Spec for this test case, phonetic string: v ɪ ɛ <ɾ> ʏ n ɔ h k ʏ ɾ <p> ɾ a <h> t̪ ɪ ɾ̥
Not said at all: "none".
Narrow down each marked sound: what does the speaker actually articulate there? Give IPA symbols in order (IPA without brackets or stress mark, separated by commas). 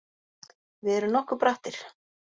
ɾ, p, h